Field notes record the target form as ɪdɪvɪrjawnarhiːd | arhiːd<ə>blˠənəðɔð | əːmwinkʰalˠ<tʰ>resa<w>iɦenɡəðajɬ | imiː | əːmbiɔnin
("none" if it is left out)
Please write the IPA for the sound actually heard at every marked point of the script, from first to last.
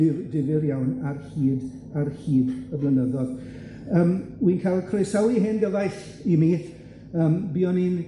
ə, kʰ, w

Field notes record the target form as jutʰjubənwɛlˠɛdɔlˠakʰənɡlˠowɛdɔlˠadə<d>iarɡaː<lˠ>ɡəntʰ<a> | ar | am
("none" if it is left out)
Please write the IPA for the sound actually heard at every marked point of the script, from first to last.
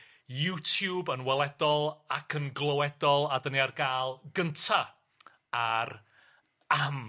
n, lˠ, a

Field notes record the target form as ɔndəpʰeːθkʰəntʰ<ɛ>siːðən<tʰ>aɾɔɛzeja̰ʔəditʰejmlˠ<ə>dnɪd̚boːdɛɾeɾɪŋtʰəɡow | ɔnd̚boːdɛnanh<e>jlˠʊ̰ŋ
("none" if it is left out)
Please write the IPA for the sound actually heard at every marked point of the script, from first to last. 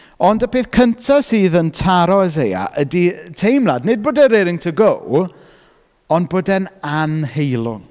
a, tʰ, a, e

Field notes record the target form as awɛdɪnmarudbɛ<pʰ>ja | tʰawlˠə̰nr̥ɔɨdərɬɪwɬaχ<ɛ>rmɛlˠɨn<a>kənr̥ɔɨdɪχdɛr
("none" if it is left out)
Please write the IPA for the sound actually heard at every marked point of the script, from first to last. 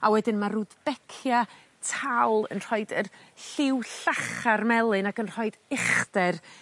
kʰ, a, a

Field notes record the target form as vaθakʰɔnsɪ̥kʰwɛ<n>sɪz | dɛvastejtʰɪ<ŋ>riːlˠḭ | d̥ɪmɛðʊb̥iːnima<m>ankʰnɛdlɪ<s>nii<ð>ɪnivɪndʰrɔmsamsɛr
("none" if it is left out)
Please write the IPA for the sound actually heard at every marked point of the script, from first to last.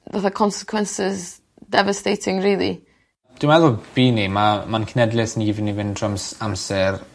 n, ŋ, m, s, v

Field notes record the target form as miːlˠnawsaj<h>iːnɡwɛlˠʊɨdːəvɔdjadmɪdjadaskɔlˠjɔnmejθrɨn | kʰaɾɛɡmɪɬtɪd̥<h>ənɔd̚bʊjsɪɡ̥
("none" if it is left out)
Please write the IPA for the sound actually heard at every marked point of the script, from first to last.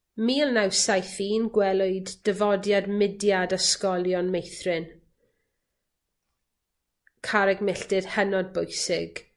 θ, h

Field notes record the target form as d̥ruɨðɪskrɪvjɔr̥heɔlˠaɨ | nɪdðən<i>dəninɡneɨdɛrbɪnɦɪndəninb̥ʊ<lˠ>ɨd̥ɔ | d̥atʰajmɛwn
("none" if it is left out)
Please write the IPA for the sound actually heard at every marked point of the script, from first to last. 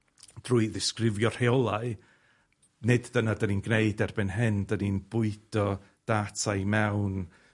a, none

